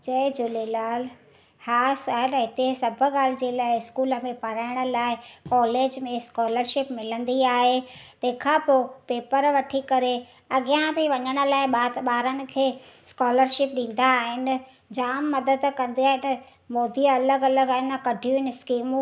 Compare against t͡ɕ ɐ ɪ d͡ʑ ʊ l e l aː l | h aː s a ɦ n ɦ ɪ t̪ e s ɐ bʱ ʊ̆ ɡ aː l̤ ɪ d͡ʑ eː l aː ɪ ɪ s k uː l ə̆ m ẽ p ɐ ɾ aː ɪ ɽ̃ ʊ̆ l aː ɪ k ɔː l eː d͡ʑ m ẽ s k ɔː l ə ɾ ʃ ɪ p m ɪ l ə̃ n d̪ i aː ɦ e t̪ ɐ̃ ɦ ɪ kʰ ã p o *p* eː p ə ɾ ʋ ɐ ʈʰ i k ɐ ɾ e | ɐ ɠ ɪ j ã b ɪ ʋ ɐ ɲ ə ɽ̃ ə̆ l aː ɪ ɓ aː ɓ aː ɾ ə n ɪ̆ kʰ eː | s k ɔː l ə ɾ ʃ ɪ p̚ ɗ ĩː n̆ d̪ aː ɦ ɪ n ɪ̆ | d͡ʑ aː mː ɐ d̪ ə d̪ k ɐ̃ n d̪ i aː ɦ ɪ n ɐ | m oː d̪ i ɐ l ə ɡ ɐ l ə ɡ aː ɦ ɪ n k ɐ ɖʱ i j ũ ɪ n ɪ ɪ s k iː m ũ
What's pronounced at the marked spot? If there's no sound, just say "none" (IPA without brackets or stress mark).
p